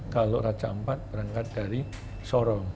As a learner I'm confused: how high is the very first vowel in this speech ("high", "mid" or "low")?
low